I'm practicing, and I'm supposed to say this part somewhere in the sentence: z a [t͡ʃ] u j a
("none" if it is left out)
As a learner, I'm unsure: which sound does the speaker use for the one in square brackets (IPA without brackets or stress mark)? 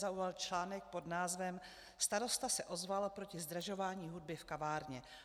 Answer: none